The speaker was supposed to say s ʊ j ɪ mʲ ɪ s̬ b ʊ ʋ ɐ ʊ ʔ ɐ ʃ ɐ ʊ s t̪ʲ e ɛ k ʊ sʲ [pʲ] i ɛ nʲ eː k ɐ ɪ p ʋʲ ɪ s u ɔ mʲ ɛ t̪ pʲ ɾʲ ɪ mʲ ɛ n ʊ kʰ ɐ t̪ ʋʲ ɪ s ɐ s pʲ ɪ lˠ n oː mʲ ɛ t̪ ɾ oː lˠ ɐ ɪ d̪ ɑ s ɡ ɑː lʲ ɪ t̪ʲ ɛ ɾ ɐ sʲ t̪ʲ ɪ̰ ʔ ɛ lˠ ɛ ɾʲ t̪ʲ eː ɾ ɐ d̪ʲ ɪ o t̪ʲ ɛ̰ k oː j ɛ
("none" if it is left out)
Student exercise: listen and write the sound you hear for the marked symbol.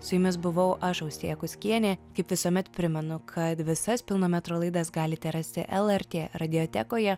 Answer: kʲ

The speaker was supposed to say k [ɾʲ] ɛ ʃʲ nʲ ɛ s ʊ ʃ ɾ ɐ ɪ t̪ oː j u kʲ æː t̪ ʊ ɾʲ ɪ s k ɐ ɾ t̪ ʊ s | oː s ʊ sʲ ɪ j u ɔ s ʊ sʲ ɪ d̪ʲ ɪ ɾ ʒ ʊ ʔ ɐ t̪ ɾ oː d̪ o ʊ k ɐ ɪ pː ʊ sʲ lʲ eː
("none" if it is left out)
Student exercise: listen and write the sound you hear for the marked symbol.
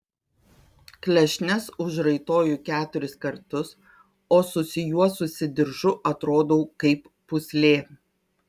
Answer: lʲ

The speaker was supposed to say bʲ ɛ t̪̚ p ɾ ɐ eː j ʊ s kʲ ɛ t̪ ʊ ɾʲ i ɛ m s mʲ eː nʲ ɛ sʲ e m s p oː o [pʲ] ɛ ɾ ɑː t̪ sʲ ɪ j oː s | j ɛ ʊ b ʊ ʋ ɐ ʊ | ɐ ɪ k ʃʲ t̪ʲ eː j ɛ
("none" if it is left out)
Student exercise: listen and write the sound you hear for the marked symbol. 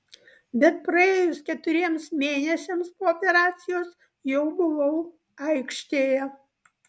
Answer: pʲ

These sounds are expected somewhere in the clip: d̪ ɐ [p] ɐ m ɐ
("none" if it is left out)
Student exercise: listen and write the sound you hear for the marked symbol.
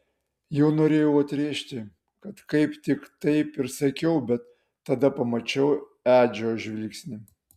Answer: p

